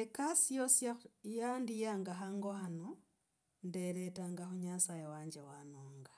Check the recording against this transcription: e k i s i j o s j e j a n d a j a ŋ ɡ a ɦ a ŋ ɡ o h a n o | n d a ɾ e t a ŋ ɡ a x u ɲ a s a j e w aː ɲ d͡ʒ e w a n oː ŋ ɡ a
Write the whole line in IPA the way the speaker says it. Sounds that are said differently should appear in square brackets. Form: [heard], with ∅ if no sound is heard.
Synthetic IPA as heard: e k [a] s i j o s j [a] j a n d [i] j a ŋ ɡ a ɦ a ŋ ɡ o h a n o | n d [e] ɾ e t a ŋ ɡ a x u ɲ a s a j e w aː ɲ d͡ʒ e w a n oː ŋ ɡ a